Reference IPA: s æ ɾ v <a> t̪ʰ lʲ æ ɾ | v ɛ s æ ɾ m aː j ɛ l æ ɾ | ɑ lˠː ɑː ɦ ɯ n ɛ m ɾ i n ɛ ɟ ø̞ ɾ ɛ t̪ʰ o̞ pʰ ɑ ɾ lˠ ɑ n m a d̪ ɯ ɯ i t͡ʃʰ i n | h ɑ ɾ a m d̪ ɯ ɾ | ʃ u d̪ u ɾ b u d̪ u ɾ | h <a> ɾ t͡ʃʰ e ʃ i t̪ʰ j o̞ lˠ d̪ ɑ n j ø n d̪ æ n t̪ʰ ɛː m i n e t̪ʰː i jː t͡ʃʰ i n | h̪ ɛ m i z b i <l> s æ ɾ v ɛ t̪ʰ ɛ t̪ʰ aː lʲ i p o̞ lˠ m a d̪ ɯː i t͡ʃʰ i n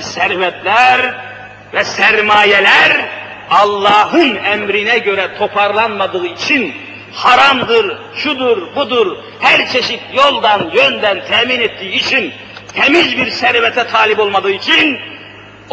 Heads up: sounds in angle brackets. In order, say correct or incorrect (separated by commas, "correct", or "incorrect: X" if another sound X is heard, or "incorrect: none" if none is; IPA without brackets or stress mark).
incorrect: ɛ, incorrect: æ, incorrect: ɾ